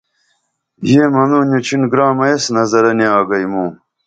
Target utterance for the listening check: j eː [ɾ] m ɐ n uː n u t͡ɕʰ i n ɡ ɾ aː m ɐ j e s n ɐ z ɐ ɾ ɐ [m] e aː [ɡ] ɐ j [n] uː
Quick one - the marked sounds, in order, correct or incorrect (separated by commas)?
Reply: incorrect, incorrect, correct, incorrect